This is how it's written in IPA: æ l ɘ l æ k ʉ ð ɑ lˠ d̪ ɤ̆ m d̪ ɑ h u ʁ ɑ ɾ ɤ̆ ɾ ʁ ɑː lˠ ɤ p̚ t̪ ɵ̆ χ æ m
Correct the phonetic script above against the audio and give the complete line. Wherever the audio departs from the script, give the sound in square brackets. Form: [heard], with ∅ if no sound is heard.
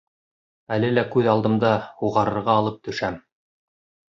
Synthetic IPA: æ l ɘ l æ k ʉ ð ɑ lˠ d̪ ɤ̆ m d̪ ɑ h u ʁ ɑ ɾ ɤ̆ ɾ ʁ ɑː lˠ ɤ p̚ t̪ ɵ̆ [ʃ] æ m